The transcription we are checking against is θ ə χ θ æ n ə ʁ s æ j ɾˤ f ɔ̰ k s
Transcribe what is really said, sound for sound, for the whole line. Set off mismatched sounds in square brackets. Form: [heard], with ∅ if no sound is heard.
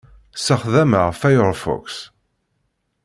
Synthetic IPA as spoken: [s] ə χ [ð] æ [m] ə ʁ [f] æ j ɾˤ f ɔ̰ k s